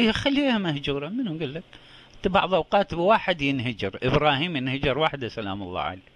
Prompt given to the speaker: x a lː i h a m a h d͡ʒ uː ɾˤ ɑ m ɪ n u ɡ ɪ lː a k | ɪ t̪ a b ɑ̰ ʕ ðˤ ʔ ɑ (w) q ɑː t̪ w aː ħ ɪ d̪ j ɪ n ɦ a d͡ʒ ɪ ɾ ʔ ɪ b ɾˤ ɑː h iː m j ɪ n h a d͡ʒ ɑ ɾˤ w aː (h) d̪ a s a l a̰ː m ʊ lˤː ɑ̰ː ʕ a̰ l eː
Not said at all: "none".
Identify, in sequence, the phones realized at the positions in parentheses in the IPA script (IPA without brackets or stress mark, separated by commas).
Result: w, ħ